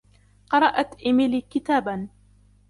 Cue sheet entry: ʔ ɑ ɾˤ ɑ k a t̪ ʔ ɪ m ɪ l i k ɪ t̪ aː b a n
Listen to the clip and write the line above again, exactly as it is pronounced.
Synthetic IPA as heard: q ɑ ɾˤ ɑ ʔ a t̪ ʔ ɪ m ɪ l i k ɪ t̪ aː b a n